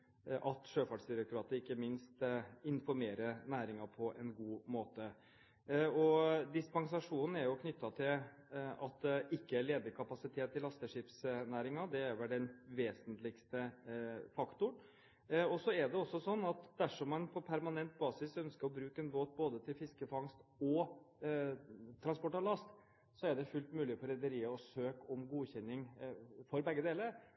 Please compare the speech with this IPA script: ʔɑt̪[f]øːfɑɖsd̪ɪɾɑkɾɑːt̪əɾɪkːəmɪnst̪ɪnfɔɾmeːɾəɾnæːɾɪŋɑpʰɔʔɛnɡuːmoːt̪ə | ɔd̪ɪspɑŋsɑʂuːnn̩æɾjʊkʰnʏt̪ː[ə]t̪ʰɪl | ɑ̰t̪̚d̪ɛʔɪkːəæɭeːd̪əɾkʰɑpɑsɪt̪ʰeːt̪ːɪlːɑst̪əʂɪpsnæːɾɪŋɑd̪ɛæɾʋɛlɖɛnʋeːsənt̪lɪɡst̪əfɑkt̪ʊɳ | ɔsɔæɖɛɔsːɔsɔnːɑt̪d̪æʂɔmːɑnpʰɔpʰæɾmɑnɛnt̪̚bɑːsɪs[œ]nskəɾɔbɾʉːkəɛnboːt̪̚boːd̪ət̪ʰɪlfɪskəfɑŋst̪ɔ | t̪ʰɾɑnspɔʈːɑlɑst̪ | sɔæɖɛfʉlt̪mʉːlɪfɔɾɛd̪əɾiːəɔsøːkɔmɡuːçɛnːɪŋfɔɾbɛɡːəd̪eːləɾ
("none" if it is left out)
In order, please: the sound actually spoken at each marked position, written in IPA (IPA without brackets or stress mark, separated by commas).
ʂ, ɑ, œ